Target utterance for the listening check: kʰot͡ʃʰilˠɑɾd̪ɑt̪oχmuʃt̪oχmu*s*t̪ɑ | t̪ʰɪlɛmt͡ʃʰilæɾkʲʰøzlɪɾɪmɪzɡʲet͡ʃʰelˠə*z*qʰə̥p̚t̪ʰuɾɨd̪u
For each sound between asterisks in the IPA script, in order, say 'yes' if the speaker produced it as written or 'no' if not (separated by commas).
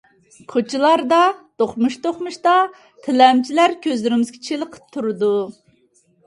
no, no